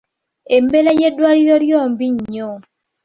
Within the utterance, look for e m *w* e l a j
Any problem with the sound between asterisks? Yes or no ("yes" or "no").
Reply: yes